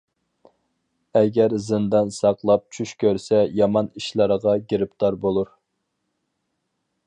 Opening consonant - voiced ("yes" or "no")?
yes